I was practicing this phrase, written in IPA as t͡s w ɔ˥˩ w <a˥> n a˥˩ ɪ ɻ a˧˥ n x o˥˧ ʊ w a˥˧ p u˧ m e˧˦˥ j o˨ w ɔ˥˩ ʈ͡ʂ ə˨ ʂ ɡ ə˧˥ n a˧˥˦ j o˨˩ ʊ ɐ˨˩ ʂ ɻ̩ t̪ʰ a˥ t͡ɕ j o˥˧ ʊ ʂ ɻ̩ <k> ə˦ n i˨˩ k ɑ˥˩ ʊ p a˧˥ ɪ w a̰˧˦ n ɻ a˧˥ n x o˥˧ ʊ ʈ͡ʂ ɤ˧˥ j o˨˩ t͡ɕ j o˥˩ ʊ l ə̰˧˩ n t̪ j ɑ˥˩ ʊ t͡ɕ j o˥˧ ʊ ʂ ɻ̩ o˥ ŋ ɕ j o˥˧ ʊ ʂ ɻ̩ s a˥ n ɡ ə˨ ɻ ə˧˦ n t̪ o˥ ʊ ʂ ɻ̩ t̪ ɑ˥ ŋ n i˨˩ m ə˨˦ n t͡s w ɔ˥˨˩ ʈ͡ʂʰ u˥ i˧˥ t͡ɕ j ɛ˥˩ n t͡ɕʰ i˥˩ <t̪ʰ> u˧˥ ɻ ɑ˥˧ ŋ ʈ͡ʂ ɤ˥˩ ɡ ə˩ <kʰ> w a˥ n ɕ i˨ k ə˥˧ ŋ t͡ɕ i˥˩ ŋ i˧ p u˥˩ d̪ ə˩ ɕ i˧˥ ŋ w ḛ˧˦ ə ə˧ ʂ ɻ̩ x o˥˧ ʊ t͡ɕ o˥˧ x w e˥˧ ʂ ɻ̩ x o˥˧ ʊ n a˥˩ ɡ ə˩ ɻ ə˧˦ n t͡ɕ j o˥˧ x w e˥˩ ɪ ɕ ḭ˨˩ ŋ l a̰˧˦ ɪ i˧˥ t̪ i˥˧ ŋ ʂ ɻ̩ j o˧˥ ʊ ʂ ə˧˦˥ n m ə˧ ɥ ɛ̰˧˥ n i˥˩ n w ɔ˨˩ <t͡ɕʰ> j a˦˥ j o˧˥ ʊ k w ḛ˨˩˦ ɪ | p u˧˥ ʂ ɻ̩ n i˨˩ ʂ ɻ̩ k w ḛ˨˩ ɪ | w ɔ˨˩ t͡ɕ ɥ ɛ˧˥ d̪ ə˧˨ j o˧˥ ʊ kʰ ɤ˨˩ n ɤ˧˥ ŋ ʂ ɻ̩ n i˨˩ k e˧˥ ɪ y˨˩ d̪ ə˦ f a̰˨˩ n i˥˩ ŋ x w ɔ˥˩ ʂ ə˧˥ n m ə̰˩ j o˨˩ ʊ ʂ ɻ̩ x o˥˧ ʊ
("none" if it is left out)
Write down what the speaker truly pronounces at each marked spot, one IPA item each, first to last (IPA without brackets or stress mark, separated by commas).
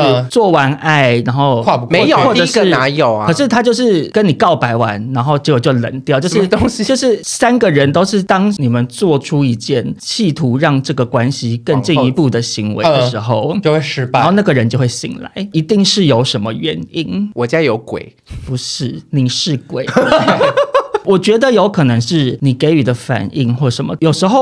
a˧˥, k, t̪ʰ, k, t͡ɕ